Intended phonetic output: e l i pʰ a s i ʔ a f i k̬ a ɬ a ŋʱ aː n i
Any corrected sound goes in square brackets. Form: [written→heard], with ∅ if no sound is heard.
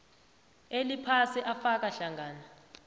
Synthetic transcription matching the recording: e l i pʰ a s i ʔ a f [i→a] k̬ a ɬ a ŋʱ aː n [i→a]